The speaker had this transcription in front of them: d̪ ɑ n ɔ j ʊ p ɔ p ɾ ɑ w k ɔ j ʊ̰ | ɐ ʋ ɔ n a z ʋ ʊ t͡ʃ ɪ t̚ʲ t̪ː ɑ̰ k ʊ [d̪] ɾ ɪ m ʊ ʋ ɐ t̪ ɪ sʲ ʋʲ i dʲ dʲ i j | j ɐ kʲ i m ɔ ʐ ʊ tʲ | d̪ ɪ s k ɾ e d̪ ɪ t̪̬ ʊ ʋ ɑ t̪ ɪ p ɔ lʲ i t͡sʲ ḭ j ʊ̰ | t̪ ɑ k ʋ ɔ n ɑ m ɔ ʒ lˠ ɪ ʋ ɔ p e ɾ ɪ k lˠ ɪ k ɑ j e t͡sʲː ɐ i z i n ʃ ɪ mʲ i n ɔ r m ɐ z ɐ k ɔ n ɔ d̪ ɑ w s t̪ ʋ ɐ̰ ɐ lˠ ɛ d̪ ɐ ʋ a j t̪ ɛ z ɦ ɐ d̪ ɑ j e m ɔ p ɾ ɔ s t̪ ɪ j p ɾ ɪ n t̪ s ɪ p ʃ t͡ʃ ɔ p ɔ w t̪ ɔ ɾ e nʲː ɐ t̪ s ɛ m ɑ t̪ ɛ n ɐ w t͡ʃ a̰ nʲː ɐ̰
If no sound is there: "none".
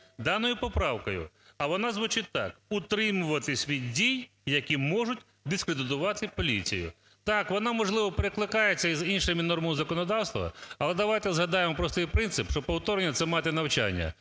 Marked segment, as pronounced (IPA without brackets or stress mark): t̪